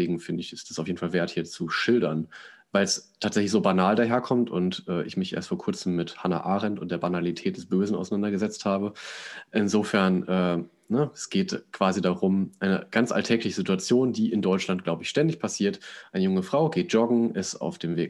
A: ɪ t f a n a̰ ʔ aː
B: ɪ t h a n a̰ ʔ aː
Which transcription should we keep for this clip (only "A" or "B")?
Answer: B